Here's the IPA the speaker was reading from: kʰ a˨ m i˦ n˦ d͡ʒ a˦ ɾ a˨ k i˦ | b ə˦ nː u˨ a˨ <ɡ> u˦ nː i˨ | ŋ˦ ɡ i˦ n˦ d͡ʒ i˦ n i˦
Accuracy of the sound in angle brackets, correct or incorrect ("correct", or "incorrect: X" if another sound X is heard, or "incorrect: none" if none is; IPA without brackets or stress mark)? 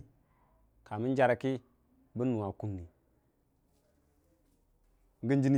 incorrect: k